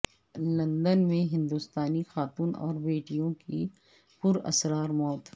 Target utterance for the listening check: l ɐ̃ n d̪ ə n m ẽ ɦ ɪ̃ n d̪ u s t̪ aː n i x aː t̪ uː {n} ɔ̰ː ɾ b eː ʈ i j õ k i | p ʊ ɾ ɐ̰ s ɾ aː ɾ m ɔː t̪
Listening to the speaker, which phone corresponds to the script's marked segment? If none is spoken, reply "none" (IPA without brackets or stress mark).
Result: n